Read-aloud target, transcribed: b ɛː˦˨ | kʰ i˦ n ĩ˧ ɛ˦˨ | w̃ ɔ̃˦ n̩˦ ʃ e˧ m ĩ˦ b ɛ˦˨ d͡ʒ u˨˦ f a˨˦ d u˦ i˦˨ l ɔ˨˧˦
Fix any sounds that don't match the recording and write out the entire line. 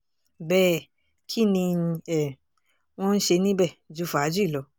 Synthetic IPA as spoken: b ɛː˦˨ | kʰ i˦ n ĩ˧ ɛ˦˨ | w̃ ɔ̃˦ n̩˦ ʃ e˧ n ĩ˦ b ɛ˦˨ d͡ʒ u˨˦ f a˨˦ d͡ʒ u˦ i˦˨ l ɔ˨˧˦

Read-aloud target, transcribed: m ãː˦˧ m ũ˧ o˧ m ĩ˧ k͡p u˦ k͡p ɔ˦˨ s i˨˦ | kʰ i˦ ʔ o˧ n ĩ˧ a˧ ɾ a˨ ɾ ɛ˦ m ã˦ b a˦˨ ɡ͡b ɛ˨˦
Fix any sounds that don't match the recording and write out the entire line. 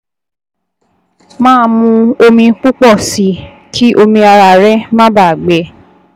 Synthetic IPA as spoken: m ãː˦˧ m ũ˧ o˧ m ĩ˧ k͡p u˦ k͡p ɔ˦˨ s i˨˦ | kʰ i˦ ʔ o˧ m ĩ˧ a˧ ɾ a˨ ɾ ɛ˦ m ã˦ b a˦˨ ɡ͡b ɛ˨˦

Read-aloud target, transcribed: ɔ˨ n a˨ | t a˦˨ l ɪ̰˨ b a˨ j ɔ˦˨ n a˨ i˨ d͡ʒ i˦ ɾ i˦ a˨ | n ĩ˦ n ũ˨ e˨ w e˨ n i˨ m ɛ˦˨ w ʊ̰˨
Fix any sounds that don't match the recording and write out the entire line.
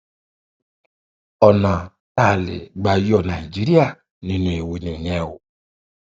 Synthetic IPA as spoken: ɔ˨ n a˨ | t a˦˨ l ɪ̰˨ ɡ͡b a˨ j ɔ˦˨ n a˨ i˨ d͡ʒ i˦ ɾ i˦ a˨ | n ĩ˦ n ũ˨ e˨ w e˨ n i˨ ɲ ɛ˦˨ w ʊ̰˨

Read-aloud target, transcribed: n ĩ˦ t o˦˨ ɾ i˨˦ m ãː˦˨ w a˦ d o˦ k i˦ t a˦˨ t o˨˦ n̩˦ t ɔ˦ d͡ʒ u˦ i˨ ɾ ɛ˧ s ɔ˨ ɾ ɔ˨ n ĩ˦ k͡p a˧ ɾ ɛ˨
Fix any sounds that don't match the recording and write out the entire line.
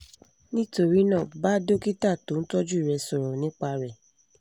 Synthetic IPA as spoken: n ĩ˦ t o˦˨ ɾ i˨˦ n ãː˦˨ b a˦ d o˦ k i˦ t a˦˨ t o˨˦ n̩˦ t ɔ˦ d͡ʒ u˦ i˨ ɾ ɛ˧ s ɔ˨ ɾ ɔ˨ n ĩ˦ k͡p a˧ ɾ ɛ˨

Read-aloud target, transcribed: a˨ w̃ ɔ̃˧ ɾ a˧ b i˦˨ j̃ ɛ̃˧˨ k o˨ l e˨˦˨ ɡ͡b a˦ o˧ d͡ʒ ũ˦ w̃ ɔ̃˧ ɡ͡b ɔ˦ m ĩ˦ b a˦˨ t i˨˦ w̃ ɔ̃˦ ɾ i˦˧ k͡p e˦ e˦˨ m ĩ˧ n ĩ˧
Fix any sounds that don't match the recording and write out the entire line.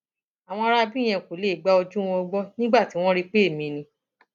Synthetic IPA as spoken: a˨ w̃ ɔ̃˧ ɾ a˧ b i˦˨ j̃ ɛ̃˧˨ k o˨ l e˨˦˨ ɡ͡b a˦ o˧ d͡ʒ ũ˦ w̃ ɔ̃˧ ɡ͡b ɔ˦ n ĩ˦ ɡ͡b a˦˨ t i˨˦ w̃ ɔ̃˦ ɾ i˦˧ k͡p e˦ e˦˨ m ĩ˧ n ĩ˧

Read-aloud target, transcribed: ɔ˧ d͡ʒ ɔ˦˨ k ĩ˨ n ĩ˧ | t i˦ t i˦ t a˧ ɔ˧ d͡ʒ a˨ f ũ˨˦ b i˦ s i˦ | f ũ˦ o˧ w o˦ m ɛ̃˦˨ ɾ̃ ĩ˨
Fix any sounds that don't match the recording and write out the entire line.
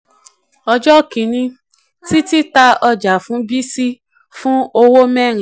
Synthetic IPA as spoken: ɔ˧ d͡ʒ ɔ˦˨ k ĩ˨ n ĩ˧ | t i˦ t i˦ t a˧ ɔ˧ d͡ʒ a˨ f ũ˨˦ b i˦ s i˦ | f ũ˦ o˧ w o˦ m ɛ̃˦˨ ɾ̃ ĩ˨

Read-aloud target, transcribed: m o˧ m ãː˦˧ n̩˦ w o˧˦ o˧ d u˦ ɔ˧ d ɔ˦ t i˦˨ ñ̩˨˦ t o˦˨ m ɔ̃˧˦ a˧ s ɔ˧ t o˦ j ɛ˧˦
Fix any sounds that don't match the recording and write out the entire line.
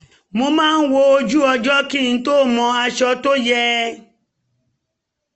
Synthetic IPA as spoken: m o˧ m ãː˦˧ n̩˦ w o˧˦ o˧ d͡ʒ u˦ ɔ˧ d͡ʒ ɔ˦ k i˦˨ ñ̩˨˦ t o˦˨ m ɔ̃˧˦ a˧ ʃ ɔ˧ t o˦ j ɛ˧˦

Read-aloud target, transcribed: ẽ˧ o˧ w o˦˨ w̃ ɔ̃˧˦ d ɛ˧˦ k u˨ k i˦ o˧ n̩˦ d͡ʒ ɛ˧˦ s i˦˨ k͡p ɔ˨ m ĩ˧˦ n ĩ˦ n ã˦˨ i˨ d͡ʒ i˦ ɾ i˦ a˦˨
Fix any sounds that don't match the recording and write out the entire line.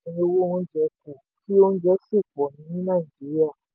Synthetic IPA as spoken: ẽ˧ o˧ w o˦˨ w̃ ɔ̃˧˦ d͡ʒ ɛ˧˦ k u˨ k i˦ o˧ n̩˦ d͡ʒ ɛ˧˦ s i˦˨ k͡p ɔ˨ n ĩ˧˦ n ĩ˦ n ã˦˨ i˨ d͡ʒ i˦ ɾ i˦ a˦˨

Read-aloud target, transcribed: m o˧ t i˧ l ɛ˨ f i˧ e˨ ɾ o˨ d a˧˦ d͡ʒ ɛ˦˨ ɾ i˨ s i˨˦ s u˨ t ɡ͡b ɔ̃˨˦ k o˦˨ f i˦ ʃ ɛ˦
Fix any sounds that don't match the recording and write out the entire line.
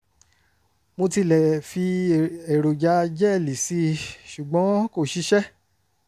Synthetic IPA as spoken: m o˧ t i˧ l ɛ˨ f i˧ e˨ ɾ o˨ d͡ʒ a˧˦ d͡ʒ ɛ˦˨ l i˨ s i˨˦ ʃ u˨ ɡ͡b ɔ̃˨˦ k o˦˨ ʃ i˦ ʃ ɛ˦

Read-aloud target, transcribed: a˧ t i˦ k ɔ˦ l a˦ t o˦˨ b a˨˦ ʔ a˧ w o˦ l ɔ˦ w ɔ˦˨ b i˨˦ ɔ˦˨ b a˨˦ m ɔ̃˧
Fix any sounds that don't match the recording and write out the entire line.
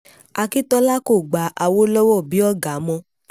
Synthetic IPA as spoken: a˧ k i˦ t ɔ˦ l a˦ k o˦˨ ɡ͡b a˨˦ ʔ a˧ w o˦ l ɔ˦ w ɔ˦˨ b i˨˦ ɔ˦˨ ɡ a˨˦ m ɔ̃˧

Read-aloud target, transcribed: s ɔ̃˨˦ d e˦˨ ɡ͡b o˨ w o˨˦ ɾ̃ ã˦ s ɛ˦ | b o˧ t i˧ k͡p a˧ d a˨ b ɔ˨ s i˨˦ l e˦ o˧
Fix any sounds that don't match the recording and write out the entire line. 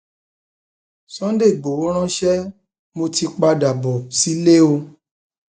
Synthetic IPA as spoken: s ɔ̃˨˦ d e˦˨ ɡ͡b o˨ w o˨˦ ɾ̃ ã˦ ʃ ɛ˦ | m o˧ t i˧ k͡p a˧ d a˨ b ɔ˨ s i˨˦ l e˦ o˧

